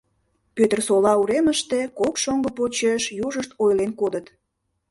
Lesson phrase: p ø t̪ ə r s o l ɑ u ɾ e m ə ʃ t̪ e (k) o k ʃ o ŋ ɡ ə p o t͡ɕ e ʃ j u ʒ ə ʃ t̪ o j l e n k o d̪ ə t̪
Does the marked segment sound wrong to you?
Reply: no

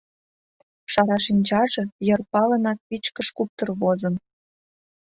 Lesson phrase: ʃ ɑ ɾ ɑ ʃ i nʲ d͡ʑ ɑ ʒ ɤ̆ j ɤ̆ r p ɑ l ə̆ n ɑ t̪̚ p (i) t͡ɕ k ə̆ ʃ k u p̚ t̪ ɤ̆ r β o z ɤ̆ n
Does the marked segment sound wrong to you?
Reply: no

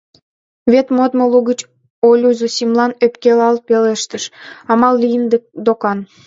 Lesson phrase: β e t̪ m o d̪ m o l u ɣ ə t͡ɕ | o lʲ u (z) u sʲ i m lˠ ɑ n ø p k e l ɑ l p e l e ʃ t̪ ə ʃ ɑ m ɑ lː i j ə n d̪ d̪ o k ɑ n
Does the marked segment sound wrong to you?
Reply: no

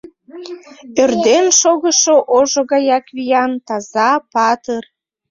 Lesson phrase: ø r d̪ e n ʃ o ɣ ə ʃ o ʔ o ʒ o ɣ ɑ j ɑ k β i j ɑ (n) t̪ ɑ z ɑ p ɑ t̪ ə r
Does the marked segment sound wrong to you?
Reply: no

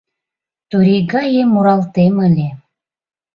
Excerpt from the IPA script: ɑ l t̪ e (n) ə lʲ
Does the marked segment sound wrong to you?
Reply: yes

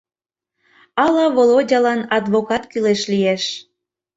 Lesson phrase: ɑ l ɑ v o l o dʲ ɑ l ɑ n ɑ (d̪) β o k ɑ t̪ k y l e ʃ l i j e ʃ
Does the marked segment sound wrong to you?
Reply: no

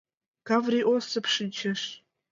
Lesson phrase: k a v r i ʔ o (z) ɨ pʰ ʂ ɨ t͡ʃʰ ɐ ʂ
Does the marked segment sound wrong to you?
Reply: yes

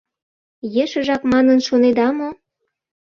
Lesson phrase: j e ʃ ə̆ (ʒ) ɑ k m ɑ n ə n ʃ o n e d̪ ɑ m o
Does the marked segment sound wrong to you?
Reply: no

